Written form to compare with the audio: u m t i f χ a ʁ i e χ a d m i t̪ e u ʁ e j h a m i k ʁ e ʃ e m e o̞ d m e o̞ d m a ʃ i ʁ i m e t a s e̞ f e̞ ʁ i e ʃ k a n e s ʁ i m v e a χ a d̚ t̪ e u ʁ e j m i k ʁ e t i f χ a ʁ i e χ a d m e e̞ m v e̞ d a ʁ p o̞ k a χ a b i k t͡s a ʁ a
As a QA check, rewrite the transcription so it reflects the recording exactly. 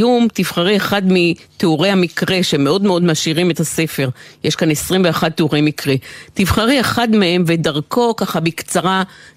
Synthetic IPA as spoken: u m t i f χ a ʁ i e χ a d m i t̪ e u ʁ e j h a m i k ʁ e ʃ e m e o̞ d m e o̞ d m a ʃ i ʁ i m e t a s e̞ f e̞ ʁ j e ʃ k a n e s ʁ i m v e a χ a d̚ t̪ e u ʁ e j m i k ʁ e t i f χ a ʁ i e χ a d m e e̞ m v e̞ d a ʁ k o̞ k a χ a b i k t͡s a ʁ a